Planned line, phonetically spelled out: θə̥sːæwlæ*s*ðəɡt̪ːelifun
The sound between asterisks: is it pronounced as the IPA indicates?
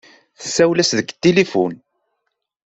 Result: yes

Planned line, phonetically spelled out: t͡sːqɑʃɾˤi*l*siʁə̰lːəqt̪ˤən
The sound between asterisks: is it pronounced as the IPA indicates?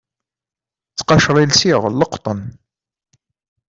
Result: yes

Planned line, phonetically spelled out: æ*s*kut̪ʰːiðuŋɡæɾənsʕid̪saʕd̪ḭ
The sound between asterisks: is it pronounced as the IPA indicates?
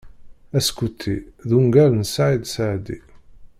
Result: yes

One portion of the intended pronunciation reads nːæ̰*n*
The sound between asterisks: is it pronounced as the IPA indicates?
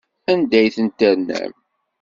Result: no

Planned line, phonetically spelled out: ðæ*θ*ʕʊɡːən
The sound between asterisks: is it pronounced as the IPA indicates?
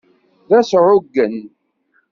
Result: no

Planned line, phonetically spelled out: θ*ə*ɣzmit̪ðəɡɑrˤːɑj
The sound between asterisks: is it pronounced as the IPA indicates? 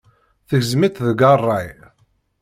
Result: yes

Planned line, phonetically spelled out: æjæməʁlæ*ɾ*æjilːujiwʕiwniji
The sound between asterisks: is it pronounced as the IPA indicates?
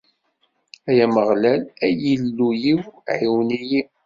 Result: no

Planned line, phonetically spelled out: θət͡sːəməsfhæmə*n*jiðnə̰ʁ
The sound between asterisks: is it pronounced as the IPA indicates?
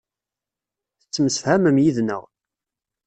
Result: no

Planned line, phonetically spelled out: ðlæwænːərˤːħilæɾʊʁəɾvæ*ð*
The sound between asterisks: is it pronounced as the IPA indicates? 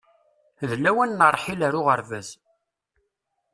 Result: no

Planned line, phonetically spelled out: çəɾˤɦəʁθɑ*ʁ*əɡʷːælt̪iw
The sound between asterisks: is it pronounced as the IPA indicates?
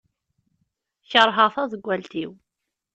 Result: no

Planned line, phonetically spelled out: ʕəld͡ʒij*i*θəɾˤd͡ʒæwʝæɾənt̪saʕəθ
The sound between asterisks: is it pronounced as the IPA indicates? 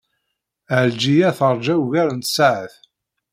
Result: no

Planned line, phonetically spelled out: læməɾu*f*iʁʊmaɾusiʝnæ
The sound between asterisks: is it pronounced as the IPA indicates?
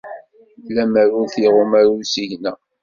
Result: no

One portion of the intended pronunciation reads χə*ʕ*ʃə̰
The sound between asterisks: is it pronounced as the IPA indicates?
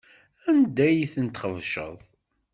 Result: no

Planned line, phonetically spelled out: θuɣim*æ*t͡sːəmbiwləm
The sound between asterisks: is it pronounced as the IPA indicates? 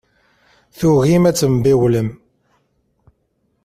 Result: yes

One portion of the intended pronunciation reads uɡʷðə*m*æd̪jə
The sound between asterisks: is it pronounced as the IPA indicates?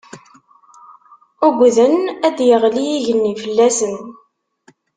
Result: no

